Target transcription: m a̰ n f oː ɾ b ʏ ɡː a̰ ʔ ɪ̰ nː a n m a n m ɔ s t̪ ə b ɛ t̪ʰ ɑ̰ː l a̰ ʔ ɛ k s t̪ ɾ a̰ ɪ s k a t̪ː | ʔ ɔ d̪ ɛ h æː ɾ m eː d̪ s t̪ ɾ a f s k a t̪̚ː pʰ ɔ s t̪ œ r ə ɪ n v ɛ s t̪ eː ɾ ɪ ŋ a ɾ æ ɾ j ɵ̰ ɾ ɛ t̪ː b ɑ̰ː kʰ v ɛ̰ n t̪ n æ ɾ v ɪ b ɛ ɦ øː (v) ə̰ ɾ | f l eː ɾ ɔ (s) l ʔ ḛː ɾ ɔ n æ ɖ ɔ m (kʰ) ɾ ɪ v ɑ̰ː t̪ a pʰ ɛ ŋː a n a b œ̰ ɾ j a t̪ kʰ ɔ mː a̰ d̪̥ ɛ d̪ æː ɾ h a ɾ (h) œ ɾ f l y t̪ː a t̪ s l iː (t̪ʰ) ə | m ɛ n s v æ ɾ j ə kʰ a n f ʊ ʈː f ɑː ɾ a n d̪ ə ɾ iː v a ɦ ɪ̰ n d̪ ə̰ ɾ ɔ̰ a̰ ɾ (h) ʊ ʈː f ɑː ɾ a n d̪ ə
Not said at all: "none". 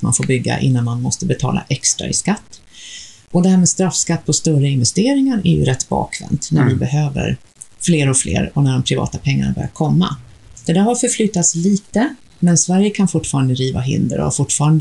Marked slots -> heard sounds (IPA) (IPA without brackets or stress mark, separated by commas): v, f, pʰ, f, t̪, f